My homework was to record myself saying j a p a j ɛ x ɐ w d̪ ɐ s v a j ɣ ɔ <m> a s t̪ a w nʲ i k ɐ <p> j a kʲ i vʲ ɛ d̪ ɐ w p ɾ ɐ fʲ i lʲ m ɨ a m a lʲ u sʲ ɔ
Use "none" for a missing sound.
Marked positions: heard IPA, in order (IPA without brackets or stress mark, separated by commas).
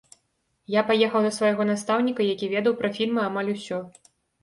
n, none